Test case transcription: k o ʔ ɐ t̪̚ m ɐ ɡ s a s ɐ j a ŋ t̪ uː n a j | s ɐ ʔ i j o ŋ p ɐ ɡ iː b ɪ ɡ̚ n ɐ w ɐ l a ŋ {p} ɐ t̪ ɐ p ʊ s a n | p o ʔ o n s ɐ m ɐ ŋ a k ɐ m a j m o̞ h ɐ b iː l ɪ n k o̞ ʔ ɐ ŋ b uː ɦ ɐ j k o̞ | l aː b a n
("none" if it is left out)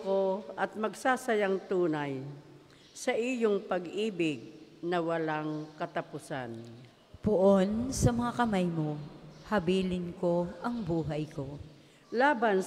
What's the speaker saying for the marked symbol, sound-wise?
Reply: k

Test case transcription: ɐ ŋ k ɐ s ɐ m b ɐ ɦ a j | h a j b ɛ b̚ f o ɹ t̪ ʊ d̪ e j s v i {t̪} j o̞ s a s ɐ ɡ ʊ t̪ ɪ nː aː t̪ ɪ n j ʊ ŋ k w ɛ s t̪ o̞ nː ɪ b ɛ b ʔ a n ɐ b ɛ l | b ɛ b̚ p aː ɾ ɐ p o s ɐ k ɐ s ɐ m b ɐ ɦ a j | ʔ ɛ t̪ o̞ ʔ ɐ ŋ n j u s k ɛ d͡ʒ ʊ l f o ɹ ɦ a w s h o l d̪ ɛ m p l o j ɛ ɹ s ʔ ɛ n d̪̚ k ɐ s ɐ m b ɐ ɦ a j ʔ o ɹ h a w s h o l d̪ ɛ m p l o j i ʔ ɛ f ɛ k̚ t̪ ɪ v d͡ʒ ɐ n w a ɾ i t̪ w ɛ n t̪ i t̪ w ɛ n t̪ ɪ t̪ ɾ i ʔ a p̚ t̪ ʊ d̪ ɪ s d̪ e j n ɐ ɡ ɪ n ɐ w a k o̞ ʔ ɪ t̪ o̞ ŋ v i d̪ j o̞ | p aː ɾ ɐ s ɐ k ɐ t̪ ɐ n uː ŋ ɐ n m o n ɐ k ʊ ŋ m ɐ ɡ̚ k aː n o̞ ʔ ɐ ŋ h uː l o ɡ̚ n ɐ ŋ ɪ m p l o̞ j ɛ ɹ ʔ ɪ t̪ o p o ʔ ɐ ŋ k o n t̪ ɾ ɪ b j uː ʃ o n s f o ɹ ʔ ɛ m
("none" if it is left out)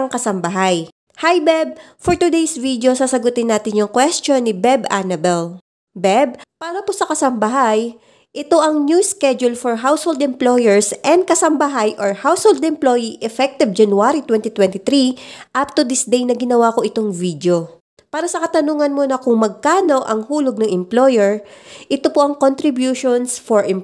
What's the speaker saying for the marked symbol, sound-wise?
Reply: d̪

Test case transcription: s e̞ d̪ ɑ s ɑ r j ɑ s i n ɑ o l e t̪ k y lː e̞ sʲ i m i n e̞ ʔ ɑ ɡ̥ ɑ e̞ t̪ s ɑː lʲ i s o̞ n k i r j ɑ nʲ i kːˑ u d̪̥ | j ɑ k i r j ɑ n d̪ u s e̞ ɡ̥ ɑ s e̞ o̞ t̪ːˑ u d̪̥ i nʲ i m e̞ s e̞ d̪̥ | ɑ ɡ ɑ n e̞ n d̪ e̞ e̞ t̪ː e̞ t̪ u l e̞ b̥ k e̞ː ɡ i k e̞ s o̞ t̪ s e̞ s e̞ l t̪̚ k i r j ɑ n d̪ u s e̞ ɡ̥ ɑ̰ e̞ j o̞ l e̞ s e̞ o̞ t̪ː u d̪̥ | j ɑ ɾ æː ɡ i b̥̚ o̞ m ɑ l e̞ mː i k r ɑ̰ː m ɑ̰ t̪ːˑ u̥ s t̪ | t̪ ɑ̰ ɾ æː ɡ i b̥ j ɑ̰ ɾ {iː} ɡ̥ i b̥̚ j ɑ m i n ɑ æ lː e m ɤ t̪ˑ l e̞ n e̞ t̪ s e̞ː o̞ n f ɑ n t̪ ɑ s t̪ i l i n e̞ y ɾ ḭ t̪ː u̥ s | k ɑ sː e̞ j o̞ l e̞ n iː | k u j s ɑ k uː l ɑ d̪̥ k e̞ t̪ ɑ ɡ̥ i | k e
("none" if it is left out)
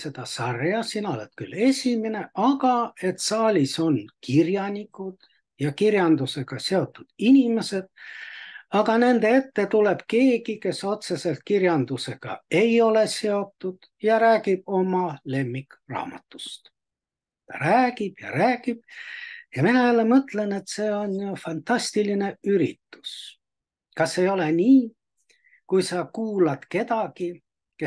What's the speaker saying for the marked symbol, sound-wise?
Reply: æː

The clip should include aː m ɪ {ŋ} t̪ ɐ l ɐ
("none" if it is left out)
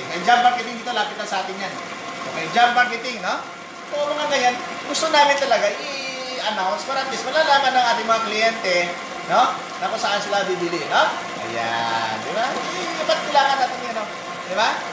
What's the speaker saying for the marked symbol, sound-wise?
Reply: n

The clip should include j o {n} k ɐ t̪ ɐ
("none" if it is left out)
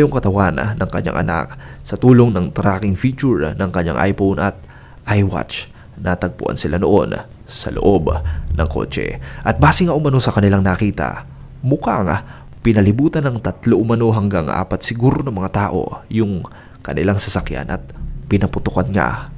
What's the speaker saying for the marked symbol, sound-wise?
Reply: ŋ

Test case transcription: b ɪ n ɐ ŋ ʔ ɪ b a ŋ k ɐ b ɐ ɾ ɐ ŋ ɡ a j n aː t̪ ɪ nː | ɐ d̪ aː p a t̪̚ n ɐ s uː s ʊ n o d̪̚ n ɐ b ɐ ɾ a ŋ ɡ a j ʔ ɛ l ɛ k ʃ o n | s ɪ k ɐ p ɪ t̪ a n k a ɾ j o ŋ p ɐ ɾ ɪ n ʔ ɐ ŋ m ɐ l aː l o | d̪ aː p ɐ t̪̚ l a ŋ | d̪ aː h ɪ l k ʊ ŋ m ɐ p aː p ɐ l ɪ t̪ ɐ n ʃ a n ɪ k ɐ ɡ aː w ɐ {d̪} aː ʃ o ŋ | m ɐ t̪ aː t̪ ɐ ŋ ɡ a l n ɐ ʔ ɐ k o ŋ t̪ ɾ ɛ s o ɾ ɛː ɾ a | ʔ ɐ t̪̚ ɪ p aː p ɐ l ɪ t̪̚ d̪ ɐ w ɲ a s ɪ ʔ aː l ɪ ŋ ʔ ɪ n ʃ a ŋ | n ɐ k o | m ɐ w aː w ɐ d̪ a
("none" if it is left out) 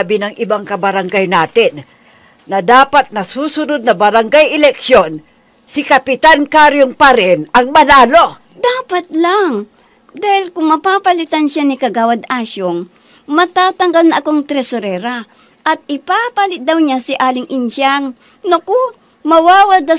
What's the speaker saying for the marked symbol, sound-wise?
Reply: d̪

